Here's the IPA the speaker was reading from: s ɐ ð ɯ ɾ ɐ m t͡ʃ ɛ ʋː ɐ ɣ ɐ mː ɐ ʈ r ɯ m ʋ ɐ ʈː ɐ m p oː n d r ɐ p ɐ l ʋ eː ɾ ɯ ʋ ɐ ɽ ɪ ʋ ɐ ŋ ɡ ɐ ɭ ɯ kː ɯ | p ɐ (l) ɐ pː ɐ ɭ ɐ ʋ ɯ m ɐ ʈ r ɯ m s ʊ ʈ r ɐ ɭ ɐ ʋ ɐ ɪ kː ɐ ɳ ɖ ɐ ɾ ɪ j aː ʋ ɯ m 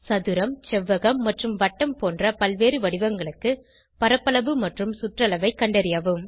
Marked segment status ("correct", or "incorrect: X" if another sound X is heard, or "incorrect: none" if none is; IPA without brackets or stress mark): incorrect: ɾ